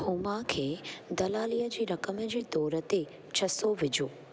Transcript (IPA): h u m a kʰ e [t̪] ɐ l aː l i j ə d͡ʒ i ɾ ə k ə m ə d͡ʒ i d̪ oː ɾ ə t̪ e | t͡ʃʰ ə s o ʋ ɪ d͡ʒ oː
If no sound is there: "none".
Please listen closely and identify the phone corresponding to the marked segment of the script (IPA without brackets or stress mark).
d̪